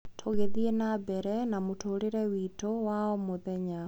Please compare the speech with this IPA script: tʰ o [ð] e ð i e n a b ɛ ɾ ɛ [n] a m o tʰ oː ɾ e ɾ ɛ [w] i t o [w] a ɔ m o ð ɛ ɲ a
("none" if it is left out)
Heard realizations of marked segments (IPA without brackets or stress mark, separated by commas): ɣ, n, w, w